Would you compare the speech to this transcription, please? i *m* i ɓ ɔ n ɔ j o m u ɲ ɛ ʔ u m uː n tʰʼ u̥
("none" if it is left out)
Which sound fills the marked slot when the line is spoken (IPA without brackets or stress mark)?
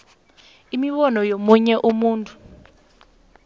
m